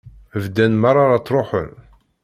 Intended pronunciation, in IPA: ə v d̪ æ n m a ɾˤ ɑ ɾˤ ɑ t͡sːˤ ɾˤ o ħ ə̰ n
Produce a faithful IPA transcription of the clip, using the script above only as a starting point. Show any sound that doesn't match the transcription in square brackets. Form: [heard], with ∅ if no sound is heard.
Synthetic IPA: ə v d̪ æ n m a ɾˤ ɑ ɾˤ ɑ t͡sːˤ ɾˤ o ħ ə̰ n